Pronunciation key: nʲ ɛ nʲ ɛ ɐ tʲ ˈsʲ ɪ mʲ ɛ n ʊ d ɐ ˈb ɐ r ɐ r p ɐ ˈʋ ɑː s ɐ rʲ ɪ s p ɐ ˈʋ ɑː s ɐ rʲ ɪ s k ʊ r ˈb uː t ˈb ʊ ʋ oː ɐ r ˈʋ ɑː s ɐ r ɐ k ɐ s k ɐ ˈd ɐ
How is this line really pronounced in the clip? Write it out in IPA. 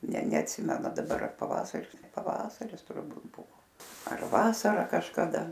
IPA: nʲ ɛ nʲ ɛ ɐ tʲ ˈsʲ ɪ mʲ ɛ n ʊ d ɐ ˈb ɐ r ɐ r p ɐ ˈʋ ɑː s ɐ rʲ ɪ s p ɐ ˈʋ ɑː s ɐ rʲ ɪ s t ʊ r ˈb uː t ˈb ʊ ʋ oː ɐ r ˈʋ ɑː s ɐ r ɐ k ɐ ʃ k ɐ ˈd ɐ